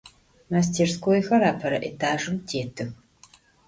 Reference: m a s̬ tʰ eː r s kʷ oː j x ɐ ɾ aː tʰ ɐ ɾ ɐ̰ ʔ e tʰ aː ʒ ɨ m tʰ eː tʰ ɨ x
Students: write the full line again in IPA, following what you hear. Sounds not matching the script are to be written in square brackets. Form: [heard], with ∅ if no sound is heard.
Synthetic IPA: m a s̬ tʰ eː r s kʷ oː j x ɐ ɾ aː [pʰ] ɐ ɾ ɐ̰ ʔ e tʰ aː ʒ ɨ m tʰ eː tʰ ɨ x